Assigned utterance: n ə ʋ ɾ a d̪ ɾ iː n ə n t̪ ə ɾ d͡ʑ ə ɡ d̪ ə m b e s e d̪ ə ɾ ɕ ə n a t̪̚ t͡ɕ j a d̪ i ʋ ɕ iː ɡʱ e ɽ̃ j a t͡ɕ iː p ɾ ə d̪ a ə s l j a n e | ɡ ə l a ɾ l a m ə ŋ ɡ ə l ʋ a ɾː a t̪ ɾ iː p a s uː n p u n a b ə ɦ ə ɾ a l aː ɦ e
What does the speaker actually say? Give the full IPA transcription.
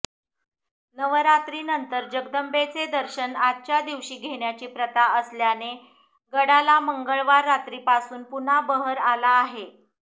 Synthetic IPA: n ə ʋ ɾ a t̪ ɾ iː n ə n t̪ ə ɾ d͡ʑ ə ɡ d̪ ə m b e t͡s e d̪ ə ɾ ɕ ə n a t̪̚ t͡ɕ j a d̪ i ʋ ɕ iː ɡʱ e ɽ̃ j a t͡ɕ iː p ɾ ə t̪ a ə s l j a n e | ɡ ə ɽ a l a m ə ŋ ɡ ə ɭ ʋ a ɾː a t̪ ɾ iː p a s uː n p u n a b ə ɦ ə ɾ a l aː ɦ e